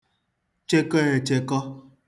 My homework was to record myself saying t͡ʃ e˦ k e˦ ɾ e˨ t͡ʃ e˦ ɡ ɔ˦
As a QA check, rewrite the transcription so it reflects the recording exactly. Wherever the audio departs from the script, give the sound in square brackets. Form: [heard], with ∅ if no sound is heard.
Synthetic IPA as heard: t͡ʃ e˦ k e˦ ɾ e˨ t͡ʃ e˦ [k] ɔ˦